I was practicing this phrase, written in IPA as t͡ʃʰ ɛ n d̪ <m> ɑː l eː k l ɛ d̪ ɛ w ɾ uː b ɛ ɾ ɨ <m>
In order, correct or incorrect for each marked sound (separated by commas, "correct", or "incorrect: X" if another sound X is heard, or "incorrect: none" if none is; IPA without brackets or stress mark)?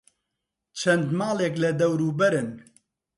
correct, incorrect: n